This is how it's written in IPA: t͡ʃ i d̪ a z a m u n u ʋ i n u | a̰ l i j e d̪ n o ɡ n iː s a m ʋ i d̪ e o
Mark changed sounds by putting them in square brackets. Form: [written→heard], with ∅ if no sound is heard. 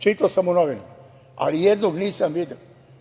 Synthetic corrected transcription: t͡ʃ i [d̪→t̪] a [z→s] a m u n [u→o] ʋ i n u | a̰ l i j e d̪ n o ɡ n iː s a m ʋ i d̪ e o